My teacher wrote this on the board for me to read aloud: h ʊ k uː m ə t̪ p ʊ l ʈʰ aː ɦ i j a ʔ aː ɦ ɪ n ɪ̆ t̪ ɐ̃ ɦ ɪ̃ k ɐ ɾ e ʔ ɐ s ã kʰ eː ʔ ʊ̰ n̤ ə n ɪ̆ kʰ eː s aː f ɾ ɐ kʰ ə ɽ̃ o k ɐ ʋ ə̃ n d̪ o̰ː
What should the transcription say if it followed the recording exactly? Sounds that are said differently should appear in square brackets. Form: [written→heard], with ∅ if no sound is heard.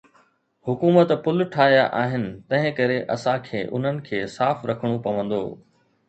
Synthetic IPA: h ʊ k uː m ə t̪ p ʊ l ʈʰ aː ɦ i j a ʔ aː ɦ ɪ n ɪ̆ t̪ ɐ̃ ɦ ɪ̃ k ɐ ɾ e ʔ ɐ s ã kʰ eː ʔ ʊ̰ n̤ ə n ɪ̆ kʰ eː s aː f ɾ ɐ kʰ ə ɽ̃ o [k→p] ɐ ʋ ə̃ n d̪ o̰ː